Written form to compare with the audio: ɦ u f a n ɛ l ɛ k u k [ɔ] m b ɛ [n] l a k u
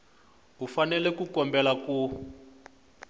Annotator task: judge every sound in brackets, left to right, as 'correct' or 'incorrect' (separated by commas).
correct, incorrect